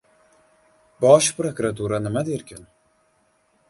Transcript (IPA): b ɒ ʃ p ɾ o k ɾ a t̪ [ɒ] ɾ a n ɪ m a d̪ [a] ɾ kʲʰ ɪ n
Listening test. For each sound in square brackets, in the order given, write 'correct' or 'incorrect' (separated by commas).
incorrect, incorrect